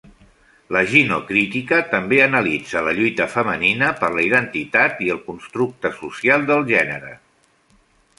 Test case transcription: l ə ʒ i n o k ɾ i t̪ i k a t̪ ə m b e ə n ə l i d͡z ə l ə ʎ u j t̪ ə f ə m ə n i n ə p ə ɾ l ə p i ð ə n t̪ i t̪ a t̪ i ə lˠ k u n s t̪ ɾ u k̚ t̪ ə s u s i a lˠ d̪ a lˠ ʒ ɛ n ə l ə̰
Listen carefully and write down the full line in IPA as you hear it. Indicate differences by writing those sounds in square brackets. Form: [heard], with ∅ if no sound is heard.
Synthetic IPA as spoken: l ə ʒ i n o k ɾ i t̪ i k [ə] t̪ ə m b e ə n ə l i d͡z ə l ə ʎ u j t̪ ə f ə m ə n i n ə p ə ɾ l ə [∅] i ð ə n t̪ i t̪ a t̪ i ə lˠ k u n s t̪ ɾ u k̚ t̪ ə s u s i a lˠ d̪ [ə] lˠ ʒ ɛ n ə [ɾ] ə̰